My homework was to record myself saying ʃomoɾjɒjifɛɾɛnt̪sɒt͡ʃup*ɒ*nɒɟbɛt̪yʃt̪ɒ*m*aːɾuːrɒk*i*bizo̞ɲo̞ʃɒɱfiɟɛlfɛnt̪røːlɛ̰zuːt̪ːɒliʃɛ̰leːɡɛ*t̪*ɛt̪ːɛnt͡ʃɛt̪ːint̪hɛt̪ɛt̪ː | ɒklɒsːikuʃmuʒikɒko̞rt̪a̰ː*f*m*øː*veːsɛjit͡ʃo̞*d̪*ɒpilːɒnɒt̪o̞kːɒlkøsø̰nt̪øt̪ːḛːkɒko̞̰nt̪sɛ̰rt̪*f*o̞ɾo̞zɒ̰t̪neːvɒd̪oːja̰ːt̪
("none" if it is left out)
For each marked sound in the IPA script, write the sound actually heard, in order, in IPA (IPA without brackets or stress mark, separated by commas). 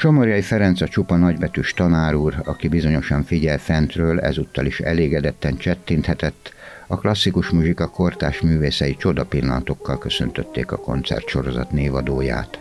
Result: ɒ, n, i, d̪, ʃ, yː, d̪, ʃ